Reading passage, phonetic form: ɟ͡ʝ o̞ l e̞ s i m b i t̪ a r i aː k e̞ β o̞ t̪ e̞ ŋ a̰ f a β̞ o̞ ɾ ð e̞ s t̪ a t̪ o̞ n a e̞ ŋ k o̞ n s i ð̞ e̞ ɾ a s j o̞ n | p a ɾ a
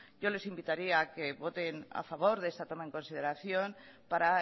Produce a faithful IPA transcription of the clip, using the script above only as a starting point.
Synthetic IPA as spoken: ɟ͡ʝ o̞ l e̞ s i m b i t̪ a ɾ i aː k e̞ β o̞ t̪ e̞ n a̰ f a β̞ o̞ ɾ ð e̞ s t̪ a t̪ o̞ m a e̞ ŋ k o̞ n s i ð̞ e̞ ɾ a θ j o̞ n | p a ɾ a

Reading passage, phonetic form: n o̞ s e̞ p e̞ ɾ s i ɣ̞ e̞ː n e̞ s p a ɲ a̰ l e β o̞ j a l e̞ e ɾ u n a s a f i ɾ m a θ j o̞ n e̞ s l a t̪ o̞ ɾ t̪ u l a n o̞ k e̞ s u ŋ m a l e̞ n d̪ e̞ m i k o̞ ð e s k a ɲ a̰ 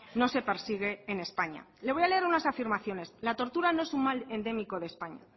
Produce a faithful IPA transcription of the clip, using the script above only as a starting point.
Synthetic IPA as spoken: n o̞ s e̞ p e̞ ɾ s i ɣ̞ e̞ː n e̞ s p a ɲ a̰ l e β o̞ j a l e̞ e ɾ u n a s a f i ɾ m a θ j o̞ n e̞ s l a t̪ o̞ ɾ t̪ u ɾ a n o̞ e̞ s u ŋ m a l e̞ n d̪ e̞ m i k o̞ ð e s p a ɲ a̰

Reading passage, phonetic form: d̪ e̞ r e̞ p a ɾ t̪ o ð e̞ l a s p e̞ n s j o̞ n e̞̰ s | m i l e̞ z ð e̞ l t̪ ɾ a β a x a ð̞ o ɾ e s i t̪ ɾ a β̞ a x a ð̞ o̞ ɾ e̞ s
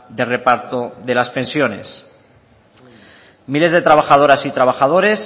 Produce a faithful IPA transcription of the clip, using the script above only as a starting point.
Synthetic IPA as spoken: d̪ e̞ r e̞ p a ɾ t̪ o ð e̞ l a s p e̞ n s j o̞ n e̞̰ s | m i l e̞ z ð e̞ t̪ ɾ a β a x a ð̞ o ɾ a s i t̪ ɾ a β̞ a x a ð̞ o̞ ɾ e̞ s

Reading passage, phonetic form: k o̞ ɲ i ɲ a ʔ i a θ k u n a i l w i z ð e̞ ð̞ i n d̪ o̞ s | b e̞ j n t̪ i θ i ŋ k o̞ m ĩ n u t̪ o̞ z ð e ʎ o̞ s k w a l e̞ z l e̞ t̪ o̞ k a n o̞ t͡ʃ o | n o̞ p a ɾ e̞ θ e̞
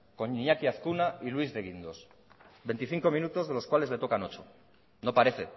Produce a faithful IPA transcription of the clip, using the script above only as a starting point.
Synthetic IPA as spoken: k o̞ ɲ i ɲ a k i a θ k u n a i l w i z ð e̞ ɣ̞ i n d̪ o̞ s | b e̞ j n t̪ i θ i ŋ k o̞ m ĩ n u t̪ o̞ z ð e l o̞ s k w a l e̞ z l e̞ t̪ o̞ k a n o̞ t͡ʃ o | n o̞ p a ɾ e̞ θ e̞

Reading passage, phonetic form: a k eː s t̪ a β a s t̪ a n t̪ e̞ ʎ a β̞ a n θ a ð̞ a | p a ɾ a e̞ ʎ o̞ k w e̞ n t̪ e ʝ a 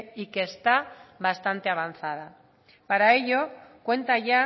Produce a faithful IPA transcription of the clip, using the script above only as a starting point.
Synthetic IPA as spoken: i k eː s t̪ a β a s t̪ a n t̪ e̞ a β̞ a n θ a ð̞ a | p a ɾ a e̞ ʎ o̞ k w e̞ n t̪ a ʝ a

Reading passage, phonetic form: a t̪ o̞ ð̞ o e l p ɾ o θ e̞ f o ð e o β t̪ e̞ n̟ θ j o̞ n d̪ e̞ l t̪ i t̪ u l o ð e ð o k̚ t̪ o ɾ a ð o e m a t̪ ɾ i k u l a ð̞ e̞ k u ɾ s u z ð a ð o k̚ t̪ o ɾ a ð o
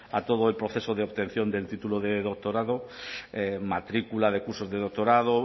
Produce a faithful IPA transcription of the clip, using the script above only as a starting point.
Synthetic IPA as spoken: a t̪ o̞ ð̞ o e l p ɾ o θ e̞ s o ð e o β t̪ e̞ n̟ θ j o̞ n d̪ e̞ l t̪ i t̪ u l o ð e ð o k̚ t̪ o ɾ a ð o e m a t̪ ɾ i k u l a ð̞ e̞ k u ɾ s o z ð e ð o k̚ t̪ o ɾ a ð o

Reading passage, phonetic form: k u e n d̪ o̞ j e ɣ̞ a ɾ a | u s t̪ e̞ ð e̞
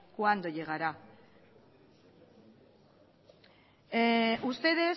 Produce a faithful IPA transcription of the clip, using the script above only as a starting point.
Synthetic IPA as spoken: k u a n d̪ o̞ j e ɣ̞ a ɾ a | u s t̪ e̞ ð e̞

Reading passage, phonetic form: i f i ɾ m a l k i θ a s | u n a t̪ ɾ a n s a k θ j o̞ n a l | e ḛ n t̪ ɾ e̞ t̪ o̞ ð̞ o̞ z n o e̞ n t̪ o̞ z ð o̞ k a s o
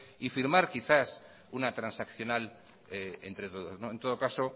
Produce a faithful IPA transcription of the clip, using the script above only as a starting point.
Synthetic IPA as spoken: i f i ɾ m a ɾ k i θ a s | u n a t̪ ɾ a n s a k θ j o̞ n a l | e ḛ n t̪ ɾ e̞ t̪ o̞ ð̞ o̞ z n o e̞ n t̪ o̞ ð o̞ k a s o

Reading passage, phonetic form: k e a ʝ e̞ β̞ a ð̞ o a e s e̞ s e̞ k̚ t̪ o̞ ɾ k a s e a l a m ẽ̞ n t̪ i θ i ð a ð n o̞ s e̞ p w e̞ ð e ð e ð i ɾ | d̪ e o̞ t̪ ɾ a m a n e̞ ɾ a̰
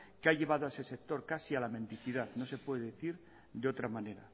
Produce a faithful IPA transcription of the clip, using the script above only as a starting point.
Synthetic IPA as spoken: k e a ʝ e̞ β̞ a ð̞ o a e s e̞ s e̞ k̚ t̪ o̞ ɾ k a s i a l a m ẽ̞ n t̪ i θ i ð a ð n o̞ s e̞ p w e̞ ð e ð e θ i ɾ | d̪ e o̞ t̪ ɾ a m a n e̞ ɾ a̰

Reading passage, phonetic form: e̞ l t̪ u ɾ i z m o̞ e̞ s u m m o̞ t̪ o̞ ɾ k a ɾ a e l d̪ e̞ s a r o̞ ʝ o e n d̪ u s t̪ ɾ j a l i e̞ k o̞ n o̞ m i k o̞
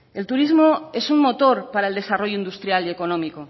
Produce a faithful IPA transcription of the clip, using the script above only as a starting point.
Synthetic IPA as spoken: e̞ l t̪ u ɾ i z m o̞ e̞ s u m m o̞ t̪ o̞ ɾ p a ɾ a e l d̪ e̞ s a r o̞ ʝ o i n d̪ u s t̪ ɾ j a l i e̞ k o̞ n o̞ m i k o̞

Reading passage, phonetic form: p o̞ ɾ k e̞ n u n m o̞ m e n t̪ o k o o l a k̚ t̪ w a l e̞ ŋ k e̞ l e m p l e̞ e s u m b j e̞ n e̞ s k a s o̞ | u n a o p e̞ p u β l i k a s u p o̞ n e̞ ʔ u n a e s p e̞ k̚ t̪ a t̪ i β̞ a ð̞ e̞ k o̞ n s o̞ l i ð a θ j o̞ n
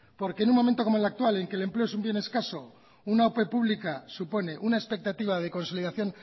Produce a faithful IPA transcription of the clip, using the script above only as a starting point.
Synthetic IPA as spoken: p o̞ ɾ k e̞ n u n m o̞ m e n t̪ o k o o l a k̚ t̪ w a l e̞ ŋ k e̞ l e m p l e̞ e s u m b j e̞ n e̞ s k a s o̞ | u n a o p e̞ p u β l i k a s u p o̞ n e̞ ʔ u n a e s p e̞ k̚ t̪ a t̪ i β̞ a ð̞ e̞ k o̞ n s o̞ l i ð a θ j o̞ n

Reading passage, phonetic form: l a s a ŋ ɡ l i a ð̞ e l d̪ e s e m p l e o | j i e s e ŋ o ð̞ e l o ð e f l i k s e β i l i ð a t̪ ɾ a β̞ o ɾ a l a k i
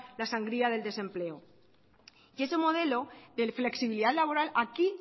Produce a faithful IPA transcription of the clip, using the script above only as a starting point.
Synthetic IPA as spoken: l a s a ŋ ɡ ɾ i a ð̞ e l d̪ e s e m p l e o | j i e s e m o ð̞ e l o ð e f l e k s i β i l i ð a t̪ l a β̞ o ɾ a l a k i

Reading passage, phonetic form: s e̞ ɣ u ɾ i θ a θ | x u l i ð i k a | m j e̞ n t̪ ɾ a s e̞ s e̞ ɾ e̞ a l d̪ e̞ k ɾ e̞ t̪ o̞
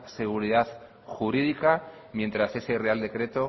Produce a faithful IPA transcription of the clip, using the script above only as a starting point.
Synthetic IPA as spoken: s e̞ ɣ u ɾ i ð a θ | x u ɾ i ð i k a | m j e̞ n t̪ ɾ a s e̞ s e̞ r e̞ a l d̪ e̞ k ɾ e̞ t̪ o̞

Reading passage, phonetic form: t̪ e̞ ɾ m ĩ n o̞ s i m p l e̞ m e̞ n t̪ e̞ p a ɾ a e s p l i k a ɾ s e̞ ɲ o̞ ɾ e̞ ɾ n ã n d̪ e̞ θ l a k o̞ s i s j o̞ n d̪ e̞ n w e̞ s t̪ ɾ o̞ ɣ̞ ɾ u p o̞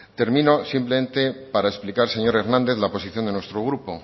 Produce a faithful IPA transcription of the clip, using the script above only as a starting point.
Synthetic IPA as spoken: t̪ e̞ ɾ m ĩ n o̞ s i m p l e̞ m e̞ n t̪ e̞ p a ɾ a e s p l i k a ɾ s e̞ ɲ o̞ ɾ e̞ ɾ n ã n d̪ e̞ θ l a p o̞ s i θ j o̞ n d̪ e̞ n w e̞ s t̪ ɾ o̞ ɣ̞ ɾ u p o̞

